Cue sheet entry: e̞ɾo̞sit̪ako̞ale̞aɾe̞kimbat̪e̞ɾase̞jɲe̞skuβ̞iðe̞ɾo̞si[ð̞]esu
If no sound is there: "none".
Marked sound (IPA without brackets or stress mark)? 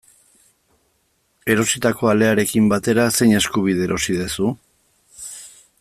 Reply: ð̞